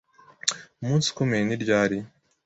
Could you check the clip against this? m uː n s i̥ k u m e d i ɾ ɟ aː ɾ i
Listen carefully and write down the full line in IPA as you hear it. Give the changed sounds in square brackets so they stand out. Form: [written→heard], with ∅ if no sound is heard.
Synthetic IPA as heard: m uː n s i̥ k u m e [d→n] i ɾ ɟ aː ɾ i